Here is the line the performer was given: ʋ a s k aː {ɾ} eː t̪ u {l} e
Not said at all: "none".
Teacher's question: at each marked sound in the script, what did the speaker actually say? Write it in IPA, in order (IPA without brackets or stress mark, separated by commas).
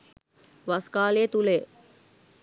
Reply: l, l